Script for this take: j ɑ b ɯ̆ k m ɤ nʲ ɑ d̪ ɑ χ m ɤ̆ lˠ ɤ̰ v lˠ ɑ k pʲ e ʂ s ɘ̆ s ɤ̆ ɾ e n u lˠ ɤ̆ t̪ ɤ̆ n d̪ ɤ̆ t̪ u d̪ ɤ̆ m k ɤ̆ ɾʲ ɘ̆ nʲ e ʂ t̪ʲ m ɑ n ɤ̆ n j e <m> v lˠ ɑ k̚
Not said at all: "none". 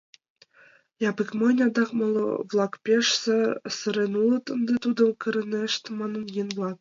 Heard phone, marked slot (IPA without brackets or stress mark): n